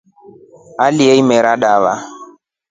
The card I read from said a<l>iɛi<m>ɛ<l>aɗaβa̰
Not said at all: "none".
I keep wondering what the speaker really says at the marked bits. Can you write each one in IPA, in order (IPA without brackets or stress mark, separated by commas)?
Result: l, m, ɾ